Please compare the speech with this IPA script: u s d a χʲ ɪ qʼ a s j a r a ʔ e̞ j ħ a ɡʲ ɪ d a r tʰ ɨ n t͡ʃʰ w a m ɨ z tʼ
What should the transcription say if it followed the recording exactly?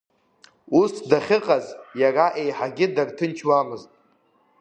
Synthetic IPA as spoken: u s d a χʲ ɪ qʼ a z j a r a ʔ e̞ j ħ a ɡʲ ɪ d a r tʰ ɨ n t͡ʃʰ w a m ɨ z tʼ